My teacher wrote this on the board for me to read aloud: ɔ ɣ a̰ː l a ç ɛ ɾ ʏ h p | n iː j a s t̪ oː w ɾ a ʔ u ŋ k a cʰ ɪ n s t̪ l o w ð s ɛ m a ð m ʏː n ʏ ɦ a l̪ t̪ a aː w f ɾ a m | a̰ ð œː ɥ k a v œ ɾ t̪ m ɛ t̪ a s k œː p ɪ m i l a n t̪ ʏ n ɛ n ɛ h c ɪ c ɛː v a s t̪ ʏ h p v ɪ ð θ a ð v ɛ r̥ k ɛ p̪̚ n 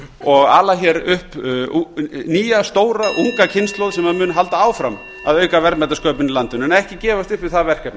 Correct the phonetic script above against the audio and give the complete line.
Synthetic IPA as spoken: ɔ ɣ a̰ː l a ç ɛ ɾ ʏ h p | n iː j a s t̪ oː w ɾ a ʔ u ŋ k a cʰ ɪ n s t̪ l o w ð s ɛ m a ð m ʏː n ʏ ɦ a l̪ t̪ a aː w f ɾ a m | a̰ ð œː ɥ k a v ɛ ɾ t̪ m ɛ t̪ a s k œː p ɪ n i l a n t̪ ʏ n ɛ n ɛ h c ɪ c ɛː v a s t̪ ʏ h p v ɪ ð θ a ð v ɛ r̥ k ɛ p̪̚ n